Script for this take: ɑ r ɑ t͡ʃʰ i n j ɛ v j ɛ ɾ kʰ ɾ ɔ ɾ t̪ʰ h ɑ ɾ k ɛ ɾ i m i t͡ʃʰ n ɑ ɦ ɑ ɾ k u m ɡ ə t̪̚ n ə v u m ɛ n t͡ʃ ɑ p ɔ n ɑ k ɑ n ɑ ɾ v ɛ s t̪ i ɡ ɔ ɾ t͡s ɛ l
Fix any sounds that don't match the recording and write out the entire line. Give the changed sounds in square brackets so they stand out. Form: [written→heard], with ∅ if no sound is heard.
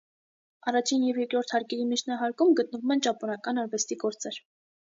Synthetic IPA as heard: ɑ r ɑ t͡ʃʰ i n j ɛ v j ɛ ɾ [kʰ→k] ɾ ɔ ɾ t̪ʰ h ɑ ɾ k ɛ ɾ i m i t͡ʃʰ n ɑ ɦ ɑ ɾ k u m ɡ ə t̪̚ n ə v u m ɛ n t͡ʃ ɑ p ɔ n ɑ k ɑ n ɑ ɾ v ɛ s t̪ i ɡ ɔ ɾ t͡s ɛ [l→ɾ]